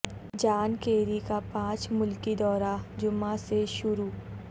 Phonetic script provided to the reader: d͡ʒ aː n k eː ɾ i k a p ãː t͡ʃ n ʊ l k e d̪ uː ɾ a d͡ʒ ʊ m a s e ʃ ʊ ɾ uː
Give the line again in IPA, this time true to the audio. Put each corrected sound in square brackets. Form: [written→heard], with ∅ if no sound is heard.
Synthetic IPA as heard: d͡ʒ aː n k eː ɾ i k a p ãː t͡ʃ [n→m] ʊ l k [e→i] d̪ [uː→ɔː] ɾ a d͡ʒ ʊ m a s e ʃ ʊ ɾ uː